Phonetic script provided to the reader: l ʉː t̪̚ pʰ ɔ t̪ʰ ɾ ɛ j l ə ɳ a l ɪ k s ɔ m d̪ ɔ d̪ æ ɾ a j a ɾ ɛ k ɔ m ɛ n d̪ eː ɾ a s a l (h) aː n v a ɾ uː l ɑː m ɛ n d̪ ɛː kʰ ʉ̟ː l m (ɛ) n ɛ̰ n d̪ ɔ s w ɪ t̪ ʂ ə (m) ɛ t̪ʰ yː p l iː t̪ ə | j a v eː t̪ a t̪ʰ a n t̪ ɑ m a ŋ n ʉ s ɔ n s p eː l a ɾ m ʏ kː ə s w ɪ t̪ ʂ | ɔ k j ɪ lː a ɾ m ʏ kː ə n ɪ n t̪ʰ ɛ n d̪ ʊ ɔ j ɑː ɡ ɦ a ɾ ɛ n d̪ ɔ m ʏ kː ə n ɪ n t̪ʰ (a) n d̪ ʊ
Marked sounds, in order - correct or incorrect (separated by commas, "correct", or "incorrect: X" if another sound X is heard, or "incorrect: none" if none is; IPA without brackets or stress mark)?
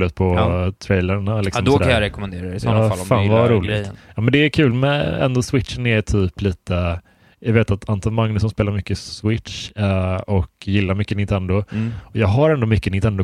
incorrect: f, correct, incorrect: n, incorrect: ɛ